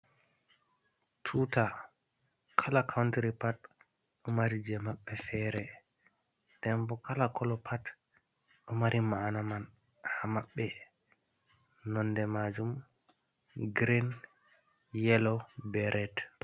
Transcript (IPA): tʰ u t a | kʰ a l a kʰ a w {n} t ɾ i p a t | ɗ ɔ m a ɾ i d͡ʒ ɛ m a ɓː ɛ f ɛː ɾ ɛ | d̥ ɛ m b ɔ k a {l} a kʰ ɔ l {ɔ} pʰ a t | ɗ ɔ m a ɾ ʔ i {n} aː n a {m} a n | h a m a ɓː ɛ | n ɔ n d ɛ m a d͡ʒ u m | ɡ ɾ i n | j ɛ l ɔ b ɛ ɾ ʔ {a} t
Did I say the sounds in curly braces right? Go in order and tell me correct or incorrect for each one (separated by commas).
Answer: correct, correct, correct, incorrect, correct, incorrect